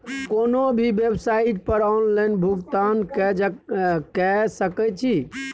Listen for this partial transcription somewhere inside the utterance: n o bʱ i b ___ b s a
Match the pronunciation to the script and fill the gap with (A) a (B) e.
B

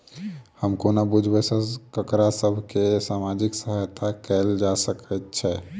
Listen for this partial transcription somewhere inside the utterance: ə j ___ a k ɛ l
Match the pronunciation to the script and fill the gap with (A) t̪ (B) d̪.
A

